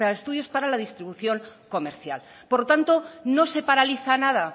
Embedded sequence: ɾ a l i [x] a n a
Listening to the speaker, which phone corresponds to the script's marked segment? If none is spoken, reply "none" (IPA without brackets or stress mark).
θ